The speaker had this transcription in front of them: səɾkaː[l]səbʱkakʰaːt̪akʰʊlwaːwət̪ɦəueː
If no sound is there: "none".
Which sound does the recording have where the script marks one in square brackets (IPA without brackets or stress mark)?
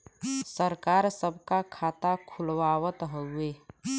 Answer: ɾ